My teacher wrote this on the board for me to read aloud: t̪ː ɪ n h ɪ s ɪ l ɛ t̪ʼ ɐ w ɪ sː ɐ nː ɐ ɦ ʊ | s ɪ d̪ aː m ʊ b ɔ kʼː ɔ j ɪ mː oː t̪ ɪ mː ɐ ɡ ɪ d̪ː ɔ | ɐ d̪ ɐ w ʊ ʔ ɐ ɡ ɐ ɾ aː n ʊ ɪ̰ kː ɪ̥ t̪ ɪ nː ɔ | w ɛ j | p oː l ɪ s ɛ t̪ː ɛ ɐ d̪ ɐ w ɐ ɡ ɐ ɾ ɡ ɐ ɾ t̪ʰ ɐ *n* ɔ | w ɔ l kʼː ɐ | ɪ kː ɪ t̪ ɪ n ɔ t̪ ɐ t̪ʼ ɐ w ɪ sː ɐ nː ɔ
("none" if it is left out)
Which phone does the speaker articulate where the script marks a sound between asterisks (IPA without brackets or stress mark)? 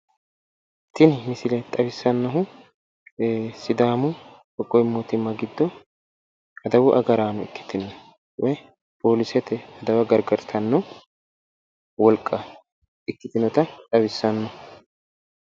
nː